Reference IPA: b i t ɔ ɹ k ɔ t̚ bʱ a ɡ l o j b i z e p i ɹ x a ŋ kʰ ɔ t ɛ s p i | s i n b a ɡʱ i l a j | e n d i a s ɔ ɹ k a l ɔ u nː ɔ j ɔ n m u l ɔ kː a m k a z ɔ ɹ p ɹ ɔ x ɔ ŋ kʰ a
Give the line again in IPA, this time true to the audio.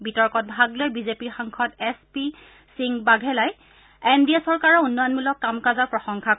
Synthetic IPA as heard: b i t ɔ ɹ k ɔ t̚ bʱ a ɡ l o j b i z e p i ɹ x a ŋ kʰ ɔ t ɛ s p i | s i ŋ b a ɡʱ ɛ l a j | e n d i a s ɔ ɹ k a ɹ ɔ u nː ɔ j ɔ n m u l ɔ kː a m k a z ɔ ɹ p ɹ ɔ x ɔ ŋ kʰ a